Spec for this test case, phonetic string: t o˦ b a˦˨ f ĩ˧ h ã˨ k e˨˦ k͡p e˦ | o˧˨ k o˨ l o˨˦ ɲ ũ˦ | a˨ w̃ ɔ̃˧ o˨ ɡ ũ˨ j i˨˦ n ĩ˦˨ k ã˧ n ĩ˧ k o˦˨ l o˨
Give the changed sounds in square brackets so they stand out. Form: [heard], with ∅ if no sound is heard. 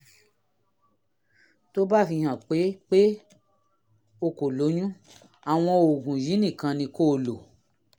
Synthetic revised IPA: t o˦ b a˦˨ f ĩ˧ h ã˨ [k͡p] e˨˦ k͡p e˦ | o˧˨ k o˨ l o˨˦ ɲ ũ˦ | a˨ w̃ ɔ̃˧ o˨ ɡ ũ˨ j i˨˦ n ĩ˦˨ k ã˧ n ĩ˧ k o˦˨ l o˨